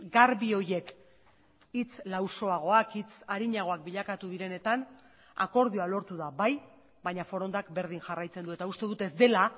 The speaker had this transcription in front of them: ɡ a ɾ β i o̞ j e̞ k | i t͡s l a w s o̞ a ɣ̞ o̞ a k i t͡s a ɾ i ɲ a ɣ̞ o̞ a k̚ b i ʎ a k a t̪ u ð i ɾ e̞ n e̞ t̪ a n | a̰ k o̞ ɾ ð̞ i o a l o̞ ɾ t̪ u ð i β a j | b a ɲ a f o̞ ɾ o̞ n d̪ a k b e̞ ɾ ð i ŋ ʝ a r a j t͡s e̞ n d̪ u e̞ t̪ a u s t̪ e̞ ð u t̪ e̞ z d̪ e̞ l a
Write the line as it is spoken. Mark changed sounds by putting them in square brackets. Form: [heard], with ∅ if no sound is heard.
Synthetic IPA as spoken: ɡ a ɾ β i o̞ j e̞ k | i t͡s l a w s o̞ a ɣ̞ o̞ a k i t͡s a ɾ i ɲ a ɣ̞ o̞ a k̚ b i ʎ a k a t̪ u ð i ɾ e̞ n e̞ t̪ a n | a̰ k o̞ ɾ ð̞ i o a l o̞ ɾ t̪ u ð [a] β a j | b a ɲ a f o̞ ɾ o̞ n d̪ a k b e̞ ɾ ð i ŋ ʝ a r a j t͡s e̞ n d̪ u e̞ t̪ a u s t̪ e̞ ð u t̪ e̞ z d̪ e̞ l a